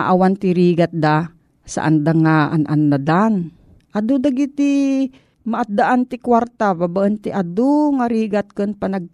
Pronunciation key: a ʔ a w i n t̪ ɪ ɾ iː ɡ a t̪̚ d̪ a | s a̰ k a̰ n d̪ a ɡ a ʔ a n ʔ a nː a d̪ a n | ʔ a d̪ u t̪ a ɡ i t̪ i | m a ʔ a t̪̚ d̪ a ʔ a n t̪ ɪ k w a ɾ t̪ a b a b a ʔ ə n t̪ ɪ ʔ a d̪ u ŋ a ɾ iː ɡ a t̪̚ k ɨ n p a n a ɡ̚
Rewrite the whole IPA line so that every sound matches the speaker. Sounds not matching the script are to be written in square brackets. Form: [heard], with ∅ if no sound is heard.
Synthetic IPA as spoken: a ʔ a w [a] n t̪ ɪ ɾ iː ɡ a t̪̚ d̪ a | s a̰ [ʔ] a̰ n d̪ a [ŋ] a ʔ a n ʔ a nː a d̪ a n | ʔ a d̪ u [d̪] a ɡ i t̪ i | m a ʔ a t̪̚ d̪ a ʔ a n t̪ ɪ k w a ɾ t̪ a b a b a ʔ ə n t̪ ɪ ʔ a d̪ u ŋ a ɾ iː ɡ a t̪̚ k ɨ n p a n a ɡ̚